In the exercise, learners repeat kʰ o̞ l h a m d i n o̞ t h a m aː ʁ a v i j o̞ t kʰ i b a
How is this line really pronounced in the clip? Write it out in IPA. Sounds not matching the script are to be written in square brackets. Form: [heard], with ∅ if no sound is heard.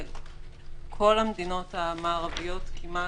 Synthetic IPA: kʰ o̞ l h a m d i n o̞ t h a m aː ʁ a v i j o̞ t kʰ i [m] a